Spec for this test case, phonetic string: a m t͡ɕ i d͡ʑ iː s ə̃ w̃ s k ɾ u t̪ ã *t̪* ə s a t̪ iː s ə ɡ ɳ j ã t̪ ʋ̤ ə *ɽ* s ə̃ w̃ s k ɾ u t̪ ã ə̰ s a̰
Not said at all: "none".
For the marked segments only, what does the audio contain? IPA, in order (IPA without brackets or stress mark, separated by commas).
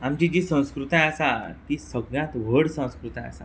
none, ɽ